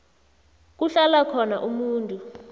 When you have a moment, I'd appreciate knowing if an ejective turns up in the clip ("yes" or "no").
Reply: yes